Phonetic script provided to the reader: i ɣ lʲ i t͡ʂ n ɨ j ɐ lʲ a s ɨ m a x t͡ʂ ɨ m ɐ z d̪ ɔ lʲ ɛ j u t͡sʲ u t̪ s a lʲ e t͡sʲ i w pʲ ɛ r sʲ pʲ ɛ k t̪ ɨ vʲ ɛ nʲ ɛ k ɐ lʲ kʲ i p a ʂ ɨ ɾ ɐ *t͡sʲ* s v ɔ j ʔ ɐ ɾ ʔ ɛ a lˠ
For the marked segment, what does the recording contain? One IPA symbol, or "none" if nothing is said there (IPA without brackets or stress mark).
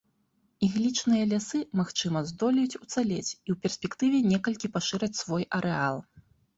t͡sʲ